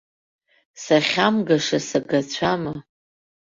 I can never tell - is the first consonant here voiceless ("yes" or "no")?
yes